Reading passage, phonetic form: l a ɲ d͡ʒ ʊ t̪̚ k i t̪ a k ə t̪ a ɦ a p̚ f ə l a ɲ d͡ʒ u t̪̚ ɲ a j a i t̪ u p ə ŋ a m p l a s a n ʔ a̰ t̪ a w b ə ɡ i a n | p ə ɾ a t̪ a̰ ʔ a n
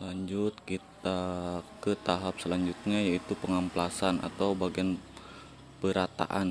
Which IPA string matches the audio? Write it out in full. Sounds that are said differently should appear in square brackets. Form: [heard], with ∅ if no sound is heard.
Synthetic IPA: l a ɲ d͡ʒ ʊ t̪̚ k i t̪ a k ə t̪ a ɦ a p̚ [s] ə l a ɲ d͡ʒ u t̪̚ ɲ a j a i t̪ u p ə ŋ a m p l a s a n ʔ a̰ t̪ a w b [a] ɡ i a n | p ə ɾ a t̪ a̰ ʔ a n